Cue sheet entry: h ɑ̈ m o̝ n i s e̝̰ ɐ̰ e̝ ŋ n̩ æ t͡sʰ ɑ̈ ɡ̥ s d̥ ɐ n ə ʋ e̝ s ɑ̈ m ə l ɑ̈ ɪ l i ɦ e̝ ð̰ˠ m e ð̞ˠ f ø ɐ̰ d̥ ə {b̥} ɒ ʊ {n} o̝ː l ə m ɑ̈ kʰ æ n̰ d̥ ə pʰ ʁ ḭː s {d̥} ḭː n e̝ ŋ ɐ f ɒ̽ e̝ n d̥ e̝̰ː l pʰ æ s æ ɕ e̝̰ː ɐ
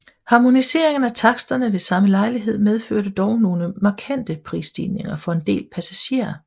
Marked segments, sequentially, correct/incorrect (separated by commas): incorrect, correct, correct